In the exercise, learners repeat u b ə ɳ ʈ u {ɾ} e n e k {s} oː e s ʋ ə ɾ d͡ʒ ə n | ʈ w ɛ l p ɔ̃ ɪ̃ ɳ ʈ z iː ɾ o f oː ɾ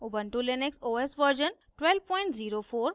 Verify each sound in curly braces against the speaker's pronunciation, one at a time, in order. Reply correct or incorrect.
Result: incorrect, correct

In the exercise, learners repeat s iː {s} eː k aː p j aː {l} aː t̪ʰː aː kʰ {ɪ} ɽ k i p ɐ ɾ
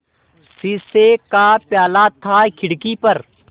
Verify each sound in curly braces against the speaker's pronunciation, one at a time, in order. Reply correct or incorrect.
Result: correct, correct, correct

